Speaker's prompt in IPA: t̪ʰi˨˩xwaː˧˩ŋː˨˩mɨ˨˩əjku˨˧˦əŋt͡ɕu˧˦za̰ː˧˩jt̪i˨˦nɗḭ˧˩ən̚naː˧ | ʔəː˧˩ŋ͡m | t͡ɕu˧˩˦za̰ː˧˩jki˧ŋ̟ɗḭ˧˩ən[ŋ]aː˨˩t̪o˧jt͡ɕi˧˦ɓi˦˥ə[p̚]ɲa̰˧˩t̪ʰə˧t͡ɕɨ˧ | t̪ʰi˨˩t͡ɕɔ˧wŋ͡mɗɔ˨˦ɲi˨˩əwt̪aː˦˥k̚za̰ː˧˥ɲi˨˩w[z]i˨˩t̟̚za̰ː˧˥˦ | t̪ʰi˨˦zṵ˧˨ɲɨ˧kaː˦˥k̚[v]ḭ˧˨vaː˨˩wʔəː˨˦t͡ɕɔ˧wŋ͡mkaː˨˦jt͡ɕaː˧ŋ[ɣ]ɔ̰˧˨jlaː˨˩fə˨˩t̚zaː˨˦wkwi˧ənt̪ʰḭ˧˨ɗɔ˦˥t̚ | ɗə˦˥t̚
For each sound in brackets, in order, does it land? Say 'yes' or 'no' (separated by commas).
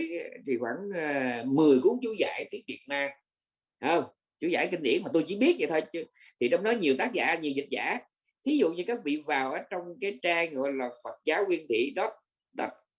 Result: no, no, yes, yes, yes